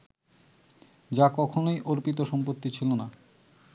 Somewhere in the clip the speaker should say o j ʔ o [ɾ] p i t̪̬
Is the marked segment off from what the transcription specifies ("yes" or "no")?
no